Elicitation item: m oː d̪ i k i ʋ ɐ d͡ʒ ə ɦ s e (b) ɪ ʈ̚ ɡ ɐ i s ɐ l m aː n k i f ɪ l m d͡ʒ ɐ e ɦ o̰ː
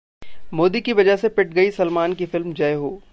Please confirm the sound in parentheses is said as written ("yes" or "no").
no